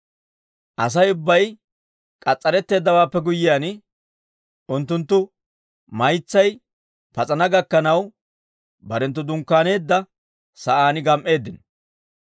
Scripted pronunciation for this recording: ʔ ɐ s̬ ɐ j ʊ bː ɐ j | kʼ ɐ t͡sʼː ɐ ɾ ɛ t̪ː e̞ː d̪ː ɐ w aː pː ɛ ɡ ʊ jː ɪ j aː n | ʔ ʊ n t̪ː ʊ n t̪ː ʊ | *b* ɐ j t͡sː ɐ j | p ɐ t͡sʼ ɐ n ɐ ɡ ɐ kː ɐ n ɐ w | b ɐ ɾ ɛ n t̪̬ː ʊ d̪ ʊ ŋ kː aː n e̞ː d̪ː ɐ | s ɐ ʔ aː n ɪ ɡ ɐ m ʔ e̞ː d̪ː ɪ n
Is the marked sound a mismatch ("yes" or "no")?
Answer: yes